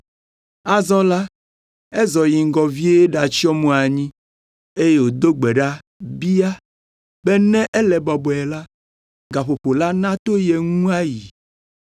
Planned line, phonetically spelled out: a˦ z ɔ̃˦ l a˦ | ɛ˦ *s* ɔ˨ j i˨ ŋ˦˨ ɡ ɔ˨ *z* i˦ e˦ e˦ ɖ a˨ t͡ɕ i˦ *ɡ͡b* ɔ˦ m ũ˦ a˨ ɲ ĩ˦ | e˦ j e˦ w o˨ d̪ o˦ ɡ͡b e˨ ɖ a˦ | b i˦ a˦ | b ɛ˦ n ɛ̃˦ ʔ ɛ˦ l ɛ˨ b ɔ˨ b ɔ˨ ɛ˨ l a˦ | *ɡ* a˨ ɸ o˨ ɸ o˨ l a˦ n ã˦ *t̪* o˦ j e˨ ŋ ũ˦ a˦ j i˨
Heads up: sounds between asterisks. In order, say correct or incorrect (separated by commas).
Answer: incorrect, incorrect, incorrect, correct, correct